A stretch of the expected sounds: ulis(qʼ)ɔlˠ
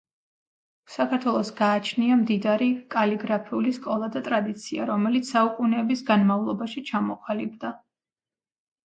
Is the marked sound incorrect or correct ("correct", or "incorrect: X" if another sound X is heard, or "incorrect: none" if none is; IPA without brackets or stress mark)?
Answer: incorrect: kʼ